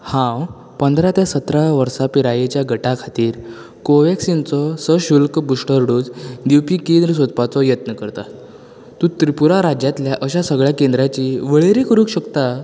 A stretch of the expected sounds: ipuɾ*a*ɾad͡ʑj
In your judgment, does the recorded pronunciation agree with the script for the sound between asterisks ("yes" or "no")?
yes